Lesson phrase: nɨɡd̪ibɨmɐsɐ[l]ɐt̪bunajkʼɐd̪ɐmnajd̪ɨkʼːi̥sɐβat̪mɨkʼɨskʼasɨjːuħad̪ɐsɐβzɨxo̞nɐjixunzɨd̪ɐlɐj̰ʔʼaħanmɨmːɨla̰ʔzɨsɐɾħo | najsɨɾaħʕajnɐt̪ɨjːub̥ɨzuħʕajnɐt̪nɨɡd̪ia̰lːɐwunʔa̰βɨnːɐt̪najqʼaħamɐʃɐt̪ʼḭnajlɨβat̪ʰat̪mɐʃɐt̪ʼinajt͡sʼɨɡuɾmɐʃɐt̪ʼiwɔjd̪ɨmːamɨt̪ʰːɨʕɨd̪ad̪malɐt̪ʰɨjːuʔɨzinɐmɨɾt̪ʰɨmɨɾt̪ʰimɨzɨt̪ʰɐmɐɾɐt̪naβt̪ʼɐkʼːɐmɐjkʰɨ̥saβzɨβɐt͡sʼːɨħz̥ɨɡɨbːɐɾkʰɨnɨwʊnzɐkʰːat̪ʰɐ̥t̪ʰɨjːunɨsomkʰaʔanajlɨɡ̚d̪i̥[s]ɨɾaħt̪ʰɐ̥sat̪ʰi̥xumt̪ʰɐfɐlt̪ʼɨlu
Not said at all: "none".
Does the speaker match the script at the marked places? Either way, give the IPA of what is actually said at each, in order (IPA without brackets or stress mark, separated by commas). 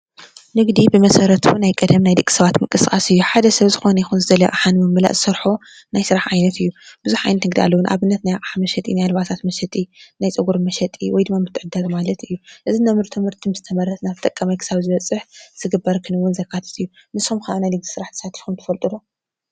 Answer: ɾ, s